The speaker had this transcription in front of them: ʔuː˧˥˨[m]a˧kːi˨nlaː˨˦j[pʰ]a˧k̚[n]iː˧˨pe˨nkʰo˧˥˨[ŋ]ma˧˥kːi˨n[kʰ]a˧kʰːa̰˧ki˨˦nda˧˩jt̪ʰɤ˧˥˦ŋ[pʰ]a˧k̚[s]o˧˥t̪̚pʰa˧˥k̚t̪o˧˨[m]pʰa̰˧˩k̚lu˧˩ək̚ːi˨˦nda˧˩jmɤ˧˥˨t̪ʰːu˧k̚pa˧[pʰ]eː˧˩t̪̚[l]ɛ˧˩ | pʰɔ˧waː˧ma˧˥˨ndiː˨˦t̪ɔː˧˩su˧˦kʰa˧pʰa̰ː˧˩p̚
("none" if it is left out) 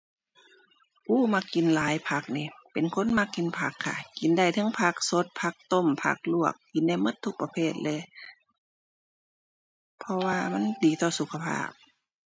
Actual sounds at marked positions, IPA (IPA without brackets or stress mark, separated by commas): m, pʰ, n, n, pʰ, pʰ, s, m, pʰ, l